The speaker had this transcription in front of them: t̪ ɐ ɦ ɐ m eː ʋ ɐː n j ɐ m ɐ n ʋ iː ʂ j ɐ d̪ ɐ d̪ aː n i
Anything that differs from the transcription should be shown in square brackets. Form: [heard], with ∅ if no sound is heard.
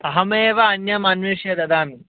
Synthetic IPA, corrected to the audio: t̪ ɐ ɦ ɐ m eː ʋ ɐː n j ɐ m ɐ n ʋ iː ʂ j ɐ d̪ ɐ d̪ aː [m] i